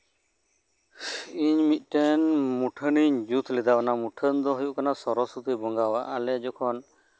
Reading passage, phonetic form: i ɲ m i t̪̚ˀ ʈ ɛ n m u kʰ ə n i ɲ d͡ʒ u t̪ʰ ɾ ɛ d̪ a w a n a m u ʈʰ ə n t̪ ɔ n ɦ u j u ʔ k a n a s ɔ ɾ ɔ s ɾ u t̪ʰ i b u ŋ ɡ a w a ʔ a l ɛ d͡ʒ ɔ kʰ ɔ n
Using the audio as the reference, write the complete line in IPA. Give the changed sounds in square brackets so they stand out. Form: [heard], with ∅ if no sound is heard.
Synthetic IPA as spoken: i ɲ m i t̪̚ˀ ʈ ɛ n m u [ʈʰ] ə n i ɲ d͡ʒ u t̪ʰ [l] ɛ d̪ a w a n a m u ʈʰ ə n [d̪] ɔ [∅] ɦ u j u ʔ k a n a s ɔ ɾ ɔ s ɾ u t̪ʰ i b [ɔ] ŋ ɡ a w a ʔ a l ɛ d͡ʒ ɔ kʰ ɔ n